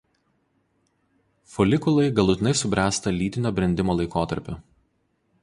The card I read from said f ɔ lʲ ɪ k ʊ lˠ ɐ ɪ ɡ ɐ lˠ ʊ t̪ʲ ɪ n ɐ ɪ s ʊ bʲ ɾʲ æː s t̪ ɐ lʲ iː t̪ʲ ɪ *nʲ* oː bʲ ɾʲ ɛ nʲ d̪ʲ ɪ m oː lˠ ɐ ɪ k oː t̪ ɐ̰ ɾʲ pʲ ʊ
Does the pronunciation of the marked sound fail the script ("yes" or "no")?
no